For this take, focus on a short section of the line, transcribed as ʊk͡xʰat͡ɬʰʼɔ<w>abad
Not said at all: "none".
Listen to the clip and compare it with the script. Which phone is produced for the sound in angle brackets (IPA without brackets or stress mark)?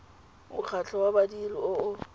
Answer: w